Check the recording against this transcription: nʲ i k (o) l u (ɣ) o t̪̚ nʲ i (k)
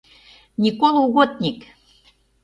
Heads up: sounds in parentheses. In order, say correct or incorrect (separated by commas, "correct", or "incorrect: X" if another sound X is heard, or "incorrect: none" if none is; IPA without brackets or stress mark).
correct, correct, correct